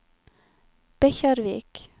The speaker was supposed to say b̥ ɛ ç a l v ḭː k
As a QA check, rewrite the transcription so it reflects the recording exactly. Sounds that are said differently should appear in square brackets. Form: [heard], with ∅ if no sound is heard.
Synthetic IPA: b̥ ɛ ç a [ɾ] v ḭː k